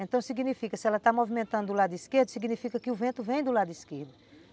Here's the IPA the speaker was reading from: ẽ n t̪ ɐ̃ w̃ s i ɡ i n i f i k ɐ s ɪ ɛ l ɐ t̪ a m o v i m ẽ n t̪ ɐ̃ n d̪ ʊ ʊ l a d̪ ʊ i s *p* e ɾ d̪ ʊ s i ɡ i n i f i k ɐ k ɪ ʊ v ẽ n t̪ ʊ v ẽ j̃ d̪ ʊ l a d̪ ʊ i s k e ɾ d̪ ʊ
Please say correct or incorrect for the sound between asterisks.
incorrect